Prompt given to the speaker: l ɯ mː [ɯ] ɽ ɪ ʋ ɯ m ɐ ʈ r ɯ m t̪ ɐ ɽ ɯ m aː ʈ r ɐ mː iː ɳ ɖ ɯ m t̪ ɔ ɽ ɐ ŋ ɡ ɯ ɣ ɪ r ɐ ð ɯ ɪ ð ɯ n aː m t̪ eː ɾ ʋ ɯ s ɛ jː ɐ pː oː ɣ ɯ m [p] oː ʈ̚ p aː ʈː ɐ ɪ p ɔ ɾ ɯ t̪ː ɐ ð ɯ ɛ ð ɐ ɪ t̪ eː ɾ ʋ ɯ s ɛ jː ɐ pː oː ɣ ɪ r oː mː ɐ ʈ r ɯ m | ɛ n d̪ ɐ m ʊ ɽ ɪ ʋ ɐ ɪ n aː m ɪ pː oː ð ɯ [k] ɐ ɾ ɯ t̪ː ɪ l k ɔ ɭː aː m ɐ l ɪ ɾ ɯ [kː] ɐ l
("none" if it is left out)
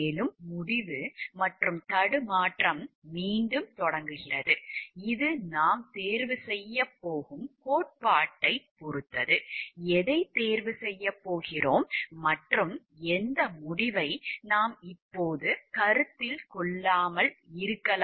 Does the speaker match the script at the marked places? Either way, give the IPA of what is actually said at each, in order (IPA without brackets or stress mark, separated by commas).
ʊ, k, k, kː